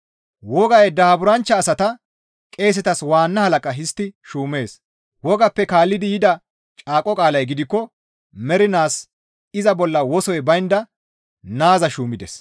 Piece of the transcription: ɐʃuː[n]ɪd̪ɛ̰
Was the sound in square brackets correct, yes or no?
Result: no